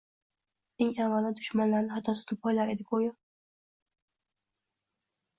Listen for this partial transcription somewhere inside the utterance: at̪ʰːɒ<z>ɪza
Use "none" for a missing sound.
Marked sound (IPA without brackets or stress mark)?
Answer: s